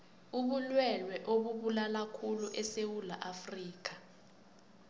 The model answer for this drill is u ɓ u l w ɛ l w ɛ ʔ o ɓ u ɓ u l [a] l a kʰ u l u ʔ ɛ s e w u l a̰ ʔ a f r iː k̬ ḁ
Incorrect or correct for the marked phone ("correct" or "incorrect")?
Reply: correct